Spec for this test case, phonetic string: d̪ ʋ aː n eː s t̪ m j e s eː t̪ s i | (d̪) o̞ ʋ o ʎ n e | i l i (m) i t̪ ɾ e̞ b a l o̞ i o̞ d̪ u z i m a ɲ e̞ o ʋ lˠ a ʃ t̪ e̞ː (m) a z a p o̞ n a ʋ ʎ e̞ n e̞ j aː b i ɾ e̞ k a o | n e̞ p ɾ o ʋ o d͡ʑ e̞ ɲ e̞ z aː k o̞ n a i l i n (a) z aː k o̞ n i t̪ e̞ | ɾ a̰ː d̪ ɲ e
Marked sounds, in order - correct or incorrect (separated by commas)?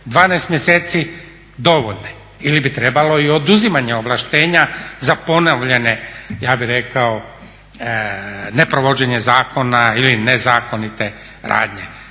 correct, incorrect, incorrect, incorrect